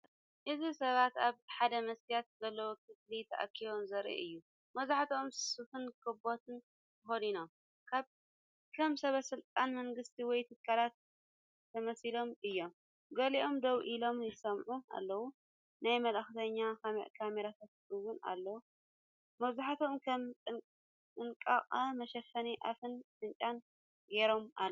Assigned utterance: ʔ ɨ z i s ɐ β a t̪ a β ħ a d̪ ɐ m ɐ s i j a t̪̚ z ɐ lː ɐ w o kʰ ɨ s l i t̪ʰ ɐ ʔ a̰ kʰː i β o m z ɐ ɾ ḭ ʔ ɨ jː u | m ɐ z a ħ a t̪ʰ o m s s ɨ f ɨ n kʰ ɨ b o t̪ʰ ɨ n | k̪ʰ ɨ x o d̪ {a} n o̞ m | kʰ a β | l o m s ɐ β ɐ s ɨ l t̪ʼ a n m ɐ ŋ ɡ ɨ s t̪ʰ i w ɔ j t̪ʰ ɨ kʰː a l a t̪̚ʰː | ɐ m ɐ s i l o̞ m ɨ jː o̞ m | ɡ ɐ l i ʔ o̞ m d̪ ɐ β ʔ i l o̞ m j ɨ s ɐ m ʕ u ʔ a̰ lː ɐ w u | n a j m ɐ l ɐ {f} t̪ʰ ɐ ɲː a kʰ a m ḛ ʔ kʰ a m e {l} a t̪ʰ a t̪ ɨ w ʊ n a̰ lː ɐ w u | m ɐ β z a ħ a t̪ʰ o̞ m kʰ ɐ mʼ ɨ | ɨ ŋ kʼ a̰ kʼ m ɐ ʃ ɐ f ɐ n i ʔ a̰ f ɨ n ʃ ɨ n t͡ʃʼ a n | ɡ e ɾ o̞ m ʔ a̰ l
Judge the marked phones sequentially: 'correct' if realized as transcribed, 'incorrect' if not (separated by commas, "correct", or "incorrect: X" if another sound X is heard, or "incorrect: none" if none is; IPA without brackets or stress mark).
incorrect: i, incorrect: x, incorrect: ɾ